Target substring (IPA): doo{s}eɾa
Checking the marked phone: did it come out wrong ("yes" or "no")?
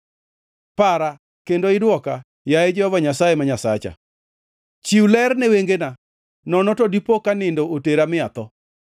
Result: yes